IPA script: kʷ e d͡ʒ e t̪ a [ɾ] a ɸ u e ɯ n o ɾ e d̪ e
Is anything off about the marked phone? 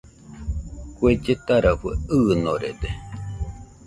no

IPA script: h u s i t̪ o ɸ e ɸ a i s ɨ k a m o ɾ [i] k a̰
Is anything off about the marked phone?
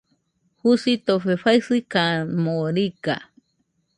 no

